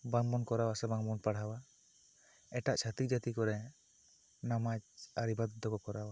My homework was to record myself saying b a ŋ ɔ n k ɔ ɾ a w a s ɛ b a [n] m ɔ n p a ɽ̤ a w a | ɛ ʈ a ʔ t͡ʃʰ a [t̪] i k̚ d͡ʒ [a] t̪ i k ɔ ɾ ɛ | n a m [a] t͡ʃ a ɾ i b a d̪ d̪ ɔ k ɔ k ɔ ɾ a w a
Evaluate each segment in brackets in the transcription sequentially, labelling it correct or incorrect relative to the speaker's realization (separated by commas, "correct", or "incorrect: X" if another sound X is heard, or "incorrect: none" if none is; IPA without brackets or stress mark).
incorrect: ŋ, correct, correct, correct